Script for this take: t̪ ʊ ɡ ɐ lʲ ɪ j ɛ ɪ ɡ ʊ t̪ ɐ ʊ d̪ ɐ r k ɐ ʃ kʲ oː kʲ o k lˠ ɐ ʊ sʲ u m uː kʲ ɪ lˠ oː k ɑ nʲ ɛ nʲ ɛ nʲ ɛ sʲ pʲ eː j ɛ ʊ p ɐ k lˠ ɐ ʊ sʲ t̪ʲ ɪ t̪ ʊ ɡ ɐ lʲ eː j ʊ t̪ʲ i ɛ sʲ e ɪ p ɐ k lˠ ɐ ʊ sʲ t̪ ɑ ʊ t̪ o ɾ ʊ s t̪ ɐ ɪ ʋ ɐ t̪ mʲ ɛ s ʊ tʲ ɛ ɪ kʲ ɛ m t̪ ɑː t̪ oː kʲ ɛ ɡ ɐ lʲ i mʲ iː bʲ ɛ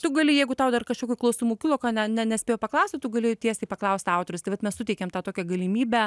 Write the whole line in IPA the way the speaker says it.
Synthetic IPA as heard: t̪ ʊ ɡ ɐ lʲ ɪ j ɛ ɪ ɡ ʊ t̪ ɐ ʊ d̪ ɐ r k ɐ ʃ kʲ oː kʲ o k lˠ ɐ ʊ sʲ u m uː kʲ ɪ lˠ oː k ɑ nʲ ɛ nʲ ɛ nʲ ɛ sʲ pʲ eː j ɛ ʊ p ɐ k lˠ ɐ ʊ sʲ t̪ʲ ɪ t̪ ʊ ɡ ɐ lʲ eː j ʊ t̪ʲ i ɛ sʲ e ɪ p ɐ k lˠ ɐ ʊ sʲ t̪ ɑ ʊ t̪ o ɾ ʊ s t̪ ɐ ɪ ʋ ɐ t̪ mʲ ɛ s ʊ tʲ ɛ ɪ kʲ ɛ m t̪ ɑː t̪ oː kʲ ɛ ɡ ɐ lʲ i mʲ iː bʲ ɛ